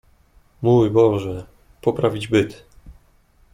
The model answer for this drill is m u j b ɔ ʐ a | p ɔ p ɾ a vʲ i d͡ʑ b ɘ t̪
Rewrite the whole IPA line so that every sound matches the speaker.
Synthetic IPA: m u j b ɔ ʐ ɛ | p ɔ p ɾ a vʲ i d͡ʑ b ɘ t̪

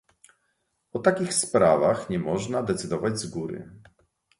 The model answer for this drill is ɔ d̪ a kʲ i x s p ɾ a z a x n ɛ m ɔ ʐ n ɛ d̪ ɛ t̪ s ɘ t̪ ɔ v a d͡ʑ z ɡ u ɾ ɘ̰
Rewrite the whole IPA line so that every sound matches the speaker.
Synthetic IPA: ɔ t̪ a kʲ i x s p ɾ a v a x ɲ ɛ m ɔ ʐ n a d̪ ɛ t̪ s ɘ d̪ ɔ v a d͡ʑ z ɡ u ɾ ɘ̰

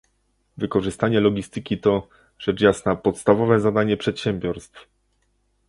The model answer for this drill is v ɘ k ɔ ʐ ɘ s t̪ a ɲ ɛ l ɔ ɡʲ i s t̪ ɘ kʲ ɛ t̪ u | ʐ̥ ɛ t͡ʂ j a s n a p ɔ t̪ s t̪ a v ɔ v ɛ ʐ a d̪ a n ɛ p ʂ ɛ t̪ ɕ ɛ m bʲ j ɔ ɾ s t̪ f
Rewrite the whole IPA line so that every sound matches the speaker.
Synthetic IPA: v ɘ k ɔ ʐ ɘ s t̪ a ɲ ɛ l ɔ ɡʲ i s t̪ ɘ kʲ i t̪ ɔ | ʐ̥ ɛ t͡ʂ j a s n a p ɔ t̪ s t̪ a v ɔ v ɛ z a d̪ a ɲ ɛ p ʂ ɛ t̪ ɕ ɛ m bʲ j ɔ ɾ s t̪ f

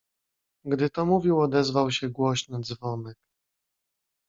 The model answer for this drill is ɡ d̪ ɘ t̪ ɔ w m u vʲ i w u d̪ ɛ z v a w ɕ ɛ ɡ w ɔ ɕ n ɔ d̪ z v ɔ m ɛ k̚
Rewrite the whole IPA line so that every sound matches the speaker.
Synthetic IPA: ɡ d̪ ɘ t̪ ɔ m u vʲ i w ɔ d̪ ɛ z v a w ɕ ɛ ɡ w ɔ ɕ n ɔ d̪ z v ɔ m ɛ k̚

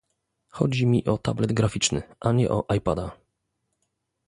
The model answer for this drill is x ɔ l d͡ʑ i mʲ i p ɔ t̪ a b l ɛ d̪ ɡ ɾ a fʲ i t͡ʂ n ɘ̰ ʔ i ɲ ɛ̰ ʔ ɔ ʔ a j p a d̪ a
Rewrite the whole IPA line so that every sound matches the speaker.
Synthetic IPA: x ɔ d͡ʑ i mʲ i ʔ ɔ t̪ a b l ɛ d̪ ɡ ɾ a fʲ i t͡ʂ n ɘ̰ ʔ a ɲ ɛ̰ ʔ ɔ ʔ a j p a d̪ a

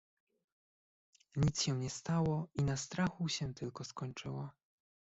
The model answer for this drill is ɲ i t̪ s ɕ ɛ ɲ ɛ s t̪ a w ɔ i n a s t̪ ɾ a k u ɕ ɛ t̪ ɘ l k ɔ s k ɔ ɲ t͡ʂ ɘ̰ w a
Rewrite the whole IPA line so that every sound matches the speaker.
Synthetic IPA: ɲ i t̪ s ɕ ɛ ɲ ɛ s t̪ a w ɔ i n a s t̪ ɾ a x u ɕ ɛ t̪ ɘ l k ɔ s k ɔ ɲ t͡ʂ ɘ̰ w a

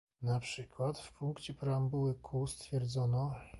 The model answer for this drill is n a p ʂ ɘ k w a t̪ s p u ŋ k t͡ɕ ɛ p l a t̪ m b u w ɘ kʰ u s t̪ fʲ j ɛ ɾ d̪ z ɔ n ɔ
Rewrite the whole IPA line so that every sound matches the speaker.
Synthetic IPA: n a p ʂ ɘ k w a t̪ f p u ŋ k t͡ɕ ɛ p ɾ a m b u w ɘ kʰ u s t̪ fʲ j ɛ ɾ d̪ z ɔ n ɔ

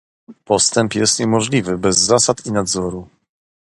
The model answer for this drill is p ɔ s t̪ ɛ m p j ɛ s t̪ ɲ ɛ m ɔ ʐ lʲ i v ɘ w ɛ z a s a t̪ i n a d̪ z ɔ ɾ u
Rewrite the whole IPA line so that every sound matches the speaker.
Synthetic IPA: p ɔ s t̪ ɛ m p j ɛ s t̪ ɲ ɛ m ɔ ʐ lʲ i v ɘ b ɛ zː a s a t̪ i n a d̪ z ɔ ɾ u

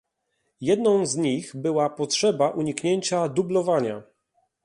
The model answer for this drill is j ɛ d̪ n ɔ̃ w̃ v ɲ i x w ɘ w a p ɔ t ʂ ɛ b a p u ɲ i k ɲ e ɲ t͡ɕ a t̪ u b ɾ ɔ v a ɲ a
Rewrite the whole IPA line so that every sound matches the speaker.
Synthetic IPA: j ɛ d̪ n ɔ̃ w̃ z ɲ i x b ɘ w a p ɔ t ʂ ɛ b a ʔ u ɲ i k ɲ e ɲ t͡ɕ a d̪ u b l ɔ v a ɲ a

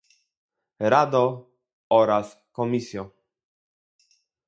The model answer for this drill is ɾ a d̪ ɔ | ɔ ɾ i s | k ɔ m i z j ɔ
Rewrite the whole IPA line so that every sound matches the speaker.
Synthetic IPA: ɾ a d̪ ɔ | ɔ ɾ a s | k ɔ m i s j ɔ

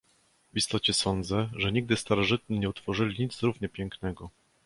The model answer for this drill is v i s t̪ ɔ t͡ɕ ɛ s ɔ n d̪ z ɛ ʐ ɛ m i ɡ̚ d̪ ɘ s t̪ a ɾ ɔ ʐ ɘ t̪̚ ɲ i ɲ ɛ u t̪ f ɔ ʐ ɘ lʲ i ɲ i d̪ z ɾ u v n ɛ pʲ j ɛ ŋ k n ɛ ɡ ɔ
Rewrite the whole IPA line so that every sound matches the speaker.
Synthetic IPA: v i s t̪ ɔ t͡ɕ ɛ s ɔ n d̪ z ɛ ʐ ɛ ɲ i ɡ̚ d̪ ɘ s t̪ a ɾ ɔ ʐ ɘ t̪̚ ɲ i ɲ ɛ u t̪ f ɔ ʐ ɘ lʲ i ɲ i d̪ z ɾ u v ɲ ɛ pʲ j ɛ ŋ k n ɛ ɡ ɔ

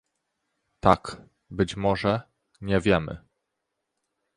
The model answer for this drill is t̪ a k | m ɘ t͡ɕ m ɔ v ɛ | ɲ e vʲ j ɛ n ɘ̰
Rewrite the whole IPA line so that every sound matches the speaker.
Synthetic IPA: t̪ a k | b ɘ t͡ɕ m ɔ ʐ ɛ | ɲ ɛ vʲ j ɛ m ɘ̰

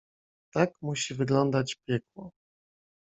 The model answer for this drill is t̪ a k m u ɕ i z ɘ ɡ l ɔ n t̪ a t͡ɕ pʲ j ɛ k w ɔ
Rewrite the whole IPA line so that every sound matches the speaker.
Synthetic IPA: t̪ a k m u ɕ i v ɘ ɡ l ɔ n d̪ a t͡ɕ pʲ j ɛ k w ɔ

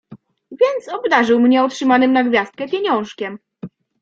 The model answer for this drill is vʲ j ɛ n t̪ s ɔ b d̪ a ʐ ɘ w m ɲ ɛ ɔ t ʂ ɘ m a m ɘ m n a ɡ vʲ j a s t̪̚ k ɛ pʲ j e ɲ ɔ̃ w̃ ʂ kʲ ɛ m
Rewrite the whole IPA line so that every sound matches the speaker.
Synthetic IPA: vʲ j ɛ n t̪ s ɔ b d̪ a ʐ ɘ w m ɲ ɛ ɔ t ʂ ɘ m a n ɘ m n a ɡ vʲ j a s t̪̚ k ɛ pʲ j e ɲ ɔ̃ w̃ ʂ kʲ ɛ m

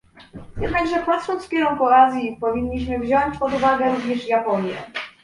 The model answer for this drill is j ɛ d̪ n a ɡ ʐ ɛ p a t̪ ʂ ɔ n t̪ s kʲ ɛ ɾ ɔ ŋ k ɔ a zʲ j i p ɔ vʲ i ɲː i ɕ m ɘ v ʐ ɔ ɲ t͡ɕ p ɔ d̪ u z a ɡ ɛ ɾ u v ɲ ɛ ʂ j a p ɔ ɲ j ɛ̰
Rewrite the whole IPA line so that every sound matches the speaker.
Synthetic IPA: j ɛ d̪ n a ɡ ʐ ɛ p a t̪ ʂ ɔ n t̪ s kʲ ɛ ɾ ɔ ŋ k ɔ a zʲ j i p ɔ vʲ i ɲː i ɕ m ɘ v ʑ ɔ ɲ t͡ɕ p ɔ d̪ u v a ɡ ɛ ɾ u v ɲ ɛ ʂ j a p ɔ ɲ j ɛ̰

